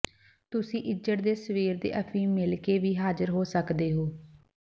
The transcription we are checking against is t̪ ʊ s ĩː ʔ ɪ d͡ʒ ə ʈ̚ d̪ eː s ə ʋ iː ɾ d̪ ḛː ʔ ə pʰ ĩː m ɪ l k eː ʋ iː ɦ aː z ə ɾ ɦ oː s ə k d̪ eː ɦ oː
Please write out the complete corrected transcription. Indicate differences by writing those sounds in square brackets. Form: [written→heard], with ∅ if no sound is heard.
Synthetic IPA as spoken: t̪ ʊ s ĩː ʔ ɪ d͡ʒ ə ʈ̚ d̪ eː s ə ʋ iː ɾ d̪ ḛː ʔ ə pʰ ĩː m ɪ l k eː ʋ iː ɦ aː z ə ɾ ɦ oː s ə k d̪ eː ɦ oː